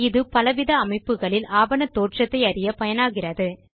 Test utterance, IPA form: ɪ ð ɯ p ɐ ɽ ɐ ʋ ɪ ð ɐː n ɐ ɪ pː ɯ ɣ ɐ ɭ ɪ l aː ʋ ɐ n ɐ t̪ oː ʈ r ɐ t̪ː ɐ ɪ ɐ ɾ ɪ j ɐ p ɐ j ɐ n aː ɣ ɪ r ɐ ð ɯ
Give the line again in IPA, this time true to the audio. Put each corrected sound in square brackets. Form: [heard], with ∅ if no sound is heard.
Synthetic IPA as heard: ɪ ð ɯ p ɐ [l] ɐ ʋ ɪ ð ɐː [m] ɐ ɪ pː ɯ ɣ ɐ ɭ ɪ l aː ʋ ɐ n ɐ t̪ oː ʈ r ɐ t̪ː ɐ ɪ ɐ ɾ ɪ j ɐ p ɐ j ɐ n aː ɣ ɪ r ɐ ð ɯ